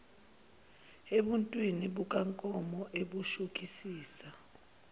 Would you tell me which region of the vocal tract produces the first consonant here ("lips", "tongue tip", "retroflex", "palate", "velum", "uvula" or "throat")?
lips